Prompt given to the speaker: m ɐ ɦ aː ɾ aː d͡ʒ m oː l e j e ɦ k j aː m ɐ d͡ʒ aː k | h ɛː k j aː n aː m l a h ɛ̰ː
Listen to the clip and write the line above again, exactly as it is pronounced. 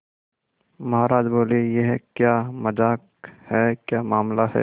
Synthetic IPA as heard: m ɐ ɦ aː ɾ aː d͡ʒ b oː l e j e ɦ k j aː m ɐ d͡ʒ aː k | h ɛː k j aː m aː m l a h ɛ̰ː